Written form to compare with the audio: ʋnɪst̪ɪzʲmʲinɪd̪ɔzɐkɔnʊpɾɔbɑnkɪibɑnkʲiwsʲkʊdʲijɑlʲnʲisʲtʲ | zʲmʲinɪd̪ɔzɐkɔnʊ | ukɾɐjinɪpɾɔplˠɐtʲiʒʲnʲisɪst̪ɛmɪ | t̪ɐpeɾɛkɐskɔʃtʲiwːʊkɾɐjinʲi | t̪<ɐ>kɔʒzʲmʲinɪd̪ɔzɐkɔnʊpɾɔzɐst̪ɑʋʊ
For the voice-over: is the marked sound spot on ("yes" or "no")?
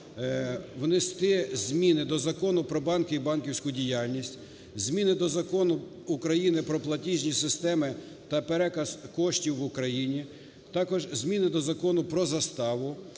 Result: no